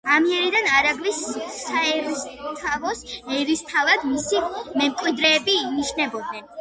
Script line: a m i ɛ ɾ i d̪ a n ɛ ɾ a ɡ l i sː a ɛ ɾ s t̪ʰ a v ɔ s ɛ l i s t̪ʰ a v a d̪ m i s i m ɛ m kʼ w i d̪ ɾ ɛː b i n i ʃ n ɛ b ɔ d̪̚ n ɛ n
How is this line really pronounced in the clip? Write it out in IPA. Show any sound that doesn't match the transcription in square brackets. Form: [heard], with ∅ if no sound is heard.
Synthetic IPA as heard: a m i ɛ ɾ i d̪ a n [a] ɾ a ɡ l i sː a ɛ ɾ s t̪ʰ a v ɔ s ɛ [ɾ] i s t̪ʰ a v a d̪ m i s i m ɛ m kʼ w i d̪ ɾ ɛː b i n i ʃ n ɛ b ɔ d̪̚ n ɛ n